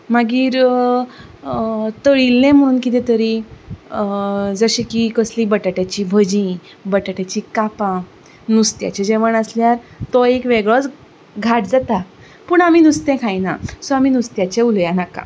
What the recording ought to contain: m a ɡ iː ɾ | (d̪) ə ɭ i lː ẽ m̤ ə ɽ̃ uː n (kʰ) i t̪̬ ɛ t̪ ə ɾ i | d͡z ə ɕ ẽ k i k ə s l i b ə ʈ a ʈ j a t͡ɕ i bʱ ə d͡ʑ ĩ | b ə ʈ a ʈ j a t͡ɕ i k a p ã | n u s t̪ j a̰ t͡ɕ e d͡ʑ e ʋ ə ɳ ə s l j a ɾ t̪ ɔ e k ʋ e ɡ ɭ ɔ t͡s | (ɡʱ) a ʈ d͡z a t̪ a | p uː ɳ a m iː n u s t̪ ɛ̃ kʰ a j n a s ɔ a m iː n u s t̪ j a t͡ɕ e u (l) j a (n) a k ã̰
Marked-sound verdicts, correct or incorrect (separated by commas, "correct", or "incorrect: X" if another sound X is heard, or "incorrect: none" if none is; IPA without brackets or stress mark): incorrect: t̪, incorrect: k, correct, correct, correct